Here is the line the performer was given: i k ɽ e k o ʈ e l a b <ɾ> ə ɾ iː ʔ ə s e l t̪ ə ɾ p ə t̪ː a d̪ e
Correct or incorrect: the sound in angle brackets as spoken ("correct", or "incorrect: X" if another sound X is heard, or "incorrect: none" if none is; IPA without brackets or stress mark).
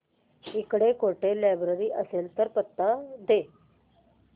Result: correct